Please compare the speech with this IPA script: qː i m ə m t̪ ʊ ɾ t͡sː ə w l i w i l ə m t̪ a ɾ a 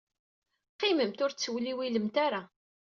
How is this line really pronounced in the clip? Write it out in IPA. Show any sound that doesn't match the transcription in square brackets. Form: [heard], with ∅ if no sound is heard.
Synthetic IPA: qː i m ə m t̪ ʊ ɾ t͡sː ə w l i w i l ə m t̪ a ɾ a